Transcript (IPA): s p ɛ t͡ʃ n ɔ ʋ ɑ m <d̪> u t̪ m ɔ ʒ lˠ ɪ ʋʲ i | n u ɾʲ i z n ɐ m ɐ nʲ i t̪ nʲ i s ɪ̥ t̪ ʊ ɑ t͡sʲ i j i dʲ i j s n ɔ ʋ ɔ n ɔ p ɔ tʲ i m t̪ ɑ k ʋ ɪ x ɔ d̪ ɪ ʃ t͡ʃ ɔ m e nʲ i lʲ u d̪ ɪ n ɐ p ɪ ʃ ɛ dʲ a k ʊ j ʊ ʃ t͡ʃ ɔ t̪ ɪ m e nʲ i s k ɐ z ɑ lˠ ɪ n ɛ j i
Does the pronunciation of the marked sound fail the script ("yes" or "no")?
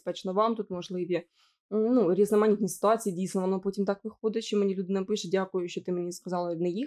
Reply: yes